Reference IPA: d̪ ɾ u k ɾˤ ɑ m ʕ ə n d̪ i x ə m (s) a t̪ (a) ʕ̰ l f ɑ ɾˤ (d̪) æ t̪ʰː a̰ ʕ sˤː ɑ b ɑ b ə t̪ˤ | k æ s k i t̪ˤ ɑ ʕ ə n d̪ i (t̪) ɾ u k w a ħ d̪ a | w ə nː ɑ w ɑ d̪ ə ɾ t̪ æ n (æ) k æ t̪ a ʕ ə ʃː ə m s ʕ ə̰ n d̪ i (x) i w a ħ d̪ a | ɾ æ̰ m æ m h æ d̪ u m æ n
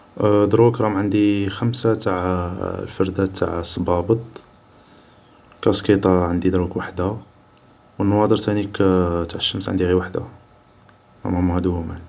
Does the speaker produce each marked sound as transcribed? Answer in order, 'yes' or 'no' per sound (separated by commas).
yes, yes, yes, no, no, no